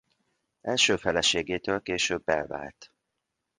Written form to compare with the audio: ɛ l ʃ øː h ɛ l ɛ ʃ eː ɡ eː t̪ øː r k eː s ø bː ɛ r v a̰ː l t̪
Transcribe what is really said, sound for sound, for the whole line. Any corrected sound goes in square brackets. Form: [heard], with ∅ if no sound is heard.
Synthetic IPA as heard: ɛ l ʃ øː [f] ɛ l ɛ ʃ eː ɡ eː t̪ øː [l] k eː [ʃ] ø bː ɛ [l] v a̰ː l t̪